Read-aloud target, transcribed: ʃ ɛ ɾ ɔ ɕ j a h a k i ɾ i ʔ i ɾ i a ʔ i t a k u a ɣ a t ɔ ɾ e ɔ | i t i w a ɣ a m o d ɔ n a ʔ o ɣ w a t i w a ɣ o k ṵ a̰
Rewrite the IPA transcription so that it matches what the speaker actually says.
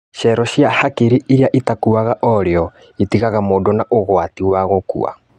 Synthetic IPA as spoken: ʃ ɛ ɾ ɔ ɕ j a h a k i ɾ i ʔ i ɾ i a ʔ i t a k u a ɣ a ʔ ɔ ɾ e ɔ | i t i ɣ a ɣ a m o d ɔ n a ʔ o ɣ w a t i w a ɣ o k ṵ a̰